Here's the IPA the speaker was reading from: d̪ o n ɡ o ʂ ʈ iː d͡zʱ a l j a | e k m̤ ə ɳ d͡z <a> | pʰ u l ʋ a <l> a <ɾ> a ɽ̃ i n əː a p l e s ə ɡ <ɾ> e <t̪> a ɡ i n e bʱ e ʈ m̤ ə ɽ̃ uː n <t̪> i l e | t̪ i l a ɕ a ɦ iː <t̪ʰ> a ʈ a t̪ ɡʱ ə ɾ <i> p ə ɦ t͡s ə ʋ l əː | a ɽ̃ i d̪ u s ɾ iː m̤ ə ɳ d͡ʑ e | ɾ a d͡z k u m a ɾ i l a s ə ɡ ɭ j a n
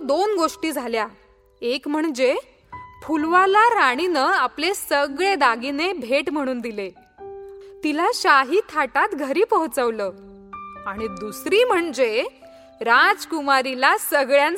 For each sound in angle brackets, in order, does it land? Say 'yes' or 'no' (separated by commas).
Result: no, yes, yes, no, no, no, yes, no